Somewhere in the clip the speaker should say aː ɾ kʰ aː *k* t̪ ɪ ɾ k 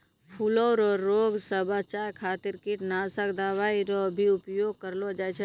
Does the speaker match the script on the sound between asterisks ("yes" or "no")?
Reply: no